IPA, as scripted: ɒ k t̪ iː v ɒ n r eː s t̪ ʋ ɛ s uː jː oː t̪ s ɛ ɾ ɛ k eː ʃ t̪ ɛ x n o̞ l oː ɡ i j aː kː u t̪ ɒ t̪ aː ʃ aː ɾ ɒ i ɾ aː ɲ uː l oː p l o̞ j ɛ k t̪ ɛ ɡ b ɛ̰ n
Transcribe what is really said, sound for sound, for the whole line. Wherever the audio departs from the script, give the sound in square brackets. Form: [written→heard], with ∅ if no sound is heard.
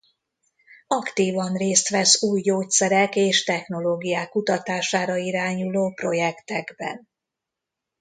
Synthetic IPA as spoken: ɒ k t̪ iː v ɒ n r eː s t̪ ʋ ɛ s uː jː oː t̪ s ɛ ɾ ɛ k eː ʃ t̪ ɛ x n o̞ l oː ɡ i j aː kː u t̪ ɒ t̪ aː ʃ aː ɾ ɒ i ɾ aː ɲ [uː→u] l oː p [l→r] o̞ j ɛ k t̪ ɛ ɡ b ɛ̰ n